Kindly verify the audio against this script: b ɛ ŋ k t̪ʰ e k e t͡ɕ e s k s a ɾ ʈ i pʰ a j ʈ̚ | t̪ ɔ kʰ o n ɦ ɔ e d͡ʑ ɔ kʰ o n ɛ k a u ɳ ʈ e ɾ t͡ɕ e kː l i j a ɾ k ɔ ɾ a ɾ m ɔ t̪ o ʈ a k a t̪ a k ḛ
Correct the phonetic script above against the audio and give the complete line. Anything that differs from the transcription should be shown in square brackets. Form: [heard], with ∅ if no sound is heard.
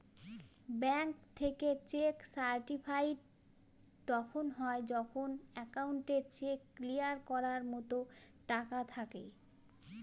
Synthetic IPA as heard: b ɛ ŋ k t̪ʰ e k e t͡ɕ e [∅] k s a ɾ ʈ i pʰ a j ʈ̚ | t̪ ɔ kʰ o n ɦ ɔ e d͡ʑ ɔ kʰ o n ɛ k a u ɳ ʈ e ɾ t͡ɕ e kː l i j a ɾ k ɔ ɾ a ɾ m ɔ t̪ o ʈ a k a [t̪ʰ] a k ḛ